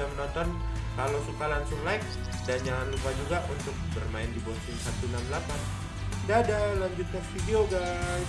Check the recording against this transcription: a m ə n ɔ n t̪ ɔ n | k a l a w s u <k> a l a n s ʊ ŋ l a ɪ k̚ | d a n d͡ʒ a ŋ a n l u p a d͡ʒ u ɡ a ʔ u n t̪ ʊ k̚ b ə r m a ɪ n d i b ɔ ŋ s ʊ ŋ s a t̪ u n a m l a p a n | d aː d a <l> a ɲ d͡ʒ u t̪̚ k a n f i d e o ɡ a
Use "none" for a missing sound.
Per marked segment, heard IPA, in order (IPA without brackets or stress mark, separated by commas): k, l